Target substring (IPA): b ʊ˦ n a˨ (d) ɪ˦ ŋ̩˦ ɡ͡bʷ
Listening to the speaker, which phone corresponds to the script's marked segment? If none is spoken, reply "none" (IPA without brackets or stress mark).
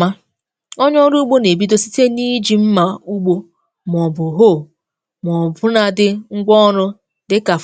d